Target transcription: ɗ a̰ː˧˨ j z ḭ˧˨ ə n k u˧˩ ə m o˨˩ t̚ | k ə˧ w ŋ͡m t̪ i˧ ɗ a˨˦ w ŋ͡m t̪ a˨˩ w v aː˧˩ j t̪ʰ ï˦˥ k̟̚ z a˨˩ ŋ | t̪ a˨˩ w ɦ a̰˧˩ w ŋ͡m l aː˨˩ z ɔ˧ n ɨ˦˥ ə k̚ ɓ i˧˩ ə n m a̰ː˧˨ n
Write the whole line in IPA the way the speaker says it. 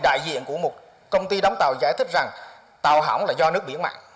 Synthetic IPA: ɗ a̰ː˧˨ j z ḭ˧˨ ə n k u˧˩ ə m o˨˩ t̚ | k ə˧ w ŋ͡m t̪ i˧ ɗ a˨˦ w ŋ͡m t̪ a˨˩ w z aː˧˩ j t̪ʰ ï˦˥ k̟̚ z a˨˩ ŋ | t̪ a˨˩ w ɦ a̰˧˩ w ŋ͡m l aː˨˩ z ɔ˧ n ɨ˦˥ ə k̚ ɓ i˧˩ ə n m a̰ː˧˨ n